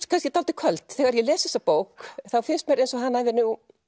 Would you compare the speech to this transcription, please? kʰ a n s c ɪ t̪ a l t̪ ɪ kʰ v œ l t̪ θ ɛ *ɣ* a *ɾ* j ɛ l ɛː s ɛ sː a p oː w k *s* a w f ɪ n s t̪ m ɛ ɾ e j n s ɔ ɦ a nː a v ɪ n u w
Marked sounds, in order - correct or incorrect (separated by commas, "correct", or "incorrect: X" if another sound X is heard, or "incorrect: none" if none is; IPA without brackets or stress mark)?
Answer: correct, correct, incorrect: θ